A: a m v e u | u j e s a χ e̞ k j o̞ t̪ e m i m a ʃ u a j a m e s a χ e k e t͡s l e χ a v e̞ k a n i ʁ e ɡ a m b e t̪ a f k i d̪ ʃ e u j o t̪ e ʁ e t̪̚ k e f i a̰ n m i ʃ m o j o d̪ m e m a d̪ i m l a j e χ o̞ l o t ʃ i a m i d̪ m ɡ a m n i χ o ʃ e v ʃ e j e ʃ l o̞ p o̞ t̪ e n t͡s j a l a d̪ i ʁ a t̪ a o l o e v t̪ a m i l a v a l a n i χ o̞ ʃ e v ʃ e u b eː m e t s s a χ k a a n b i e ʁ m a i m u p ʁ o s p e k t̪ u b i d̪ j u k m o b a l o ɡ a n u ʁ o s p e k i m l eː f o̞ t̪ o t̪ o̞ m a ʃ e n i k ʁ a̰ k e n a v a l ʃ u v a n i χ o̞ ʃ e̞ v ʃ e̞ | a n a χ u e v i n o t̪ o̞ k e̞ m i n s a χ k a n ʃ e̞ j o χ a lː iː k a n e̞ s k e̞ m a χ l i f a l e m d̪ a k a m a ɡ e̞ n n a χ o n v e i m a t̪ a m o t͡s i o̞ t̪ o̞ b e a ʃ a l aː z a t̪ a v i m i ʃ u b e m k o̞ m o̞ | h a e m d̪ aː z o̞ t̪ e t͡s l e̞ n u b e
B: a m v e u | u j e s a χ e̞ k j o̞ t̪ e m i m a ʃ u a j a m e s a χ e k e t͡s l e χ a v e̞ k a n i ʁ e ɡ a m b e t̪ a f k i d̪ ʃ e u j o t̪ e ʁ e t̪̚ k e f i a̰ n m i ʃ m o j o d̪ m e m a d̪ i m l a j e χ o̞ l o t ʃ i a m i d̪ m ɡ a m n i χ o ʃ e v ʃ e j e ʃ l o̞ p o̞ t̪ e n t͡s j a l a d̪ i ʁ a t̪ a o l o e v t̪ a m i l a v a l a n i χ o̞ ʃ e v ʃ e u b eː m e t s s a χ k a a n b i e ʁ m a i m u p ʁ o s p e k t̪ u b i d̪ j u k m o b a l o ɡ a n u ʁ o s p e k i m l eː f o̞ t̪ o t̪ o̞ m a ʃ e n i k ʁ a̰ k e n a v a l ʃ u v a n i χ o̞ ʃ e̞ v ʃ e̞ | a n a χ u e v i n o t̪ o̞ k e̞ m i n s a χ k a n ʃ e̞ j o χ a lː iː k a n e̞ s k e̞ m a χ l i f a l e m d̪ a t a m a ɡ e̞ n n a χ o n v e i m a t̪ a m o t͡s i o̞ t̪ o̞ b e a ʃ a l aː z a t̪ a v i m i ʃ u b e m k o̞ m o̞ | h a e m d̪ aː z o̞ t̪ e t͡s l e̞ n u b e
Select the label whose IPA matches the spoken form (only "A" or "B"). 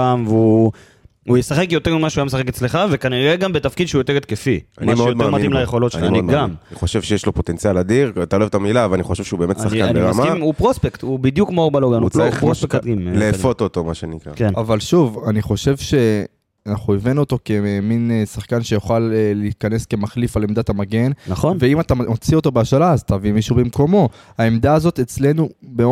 B